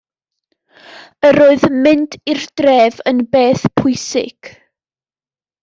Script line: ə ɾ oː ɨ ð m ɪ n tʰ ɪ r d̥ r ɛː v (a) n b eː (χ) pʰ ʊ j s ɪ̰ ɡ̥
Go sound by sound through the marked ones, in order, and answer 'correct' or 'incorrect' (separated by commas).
incorrect, incorrect